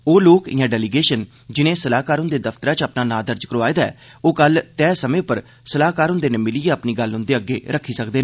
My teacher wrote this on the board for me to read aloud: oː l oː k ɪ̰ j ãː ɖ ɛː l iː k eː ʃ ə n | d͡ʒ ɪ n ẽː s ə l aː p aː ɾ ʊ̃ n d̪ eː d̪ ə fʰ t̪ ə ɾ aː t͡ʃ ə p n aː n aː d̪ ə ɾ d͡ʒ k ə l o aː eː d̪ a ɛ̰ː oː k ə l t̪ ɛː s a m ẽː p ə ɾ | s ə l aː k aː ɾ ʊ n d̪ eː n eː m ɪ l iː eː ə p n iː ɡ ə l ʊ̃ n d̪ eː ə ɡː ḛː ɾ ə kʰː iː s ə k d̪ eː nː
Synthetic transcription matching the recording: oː l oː k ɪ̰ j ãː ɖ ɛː l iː ɡ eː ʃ ə n | d͡ʒ ɪ n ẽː s ə l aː k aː ɾ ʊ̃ n d̪ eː d̪ ə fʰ t̪ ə ɾ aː t͡ʃ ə p n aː n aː d̪ ə ɾ d͡ʒ k ə ɾ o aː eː d̪ a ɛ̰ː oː k ə l t̪ ɛː s ə m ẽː p ə ɾ | s ə l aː k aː ɾ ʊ n d̪ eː n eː m ɪ l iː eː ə p n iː ɡ ə l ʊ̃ n d̪ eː ə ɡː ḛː ɾ ə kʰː iː s ə k d̪ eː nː